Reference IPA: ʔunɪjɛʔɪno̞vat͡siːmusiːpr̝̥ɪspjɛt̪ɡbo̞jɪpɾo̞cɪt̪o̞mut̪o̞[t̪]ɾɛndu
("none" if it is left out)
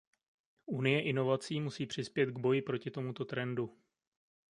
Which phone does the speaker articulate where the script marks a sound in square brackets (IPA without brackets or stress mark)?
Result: t̪